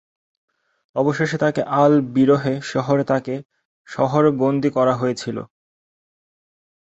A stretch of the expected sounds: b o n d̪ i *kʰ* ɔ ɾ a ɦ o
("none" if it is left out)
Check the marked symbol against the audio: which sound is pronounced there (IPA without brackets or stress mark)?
k